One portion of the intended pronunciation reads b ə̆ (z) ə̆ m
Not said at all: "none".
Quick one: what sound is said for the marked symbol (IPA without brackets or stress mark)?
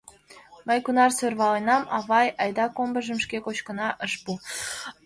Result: ʒ